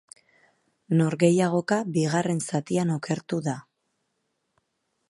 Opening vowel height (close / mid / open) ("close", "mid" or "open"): mid